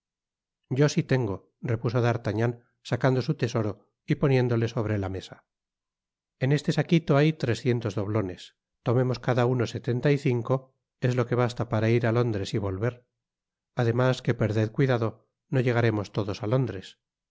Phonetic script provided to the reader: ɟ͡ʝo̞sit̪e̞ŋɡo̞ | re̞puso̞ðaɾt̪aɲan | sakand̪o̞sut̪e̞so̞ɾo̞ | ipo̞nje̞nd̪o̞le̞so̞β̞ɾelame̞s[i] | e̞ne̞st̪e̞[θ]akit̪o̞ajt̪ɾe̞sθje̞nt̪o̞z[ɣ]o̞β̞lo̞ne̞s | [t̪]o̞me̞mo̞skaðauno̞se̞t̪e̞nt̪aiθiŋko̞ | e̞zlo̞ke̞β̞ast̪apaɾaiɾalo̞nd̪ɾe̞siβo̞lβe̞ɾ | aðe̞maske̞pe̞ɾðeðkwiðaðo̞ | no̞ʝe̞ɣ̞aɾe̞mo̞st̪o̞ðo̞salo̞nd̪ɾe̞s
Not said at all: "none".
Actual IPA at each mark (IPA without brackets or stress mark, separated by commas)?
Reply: a, s, ð, t̪